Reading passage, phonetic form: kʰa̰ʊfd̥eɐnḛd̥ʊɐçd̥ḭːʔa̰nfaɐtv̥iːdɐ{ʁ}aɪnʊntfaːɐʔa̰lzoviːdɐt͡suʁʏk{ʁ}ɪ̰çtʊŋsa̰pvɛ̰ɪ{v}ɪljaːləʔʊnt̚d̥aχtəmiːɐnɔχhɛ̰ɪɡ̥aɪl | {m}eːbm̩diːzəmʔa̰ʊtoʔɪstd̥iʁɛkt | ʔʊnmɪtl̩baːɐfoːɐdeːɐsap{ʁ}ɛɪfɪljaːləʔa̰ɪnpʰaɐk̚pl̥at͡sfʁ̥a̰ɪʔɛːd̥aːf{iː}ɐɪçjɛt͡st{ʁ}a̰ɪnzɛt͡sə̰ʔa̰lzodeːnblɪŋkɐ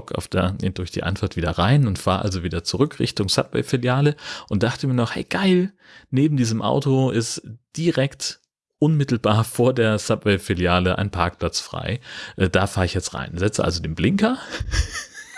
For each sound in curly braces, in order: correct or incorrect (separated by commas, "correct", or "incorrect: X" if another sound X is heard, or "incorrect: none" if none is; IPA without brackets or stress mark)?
correct, correct, incorrect: f, incorrect: n, incorrect: v, incorrect: aː, correct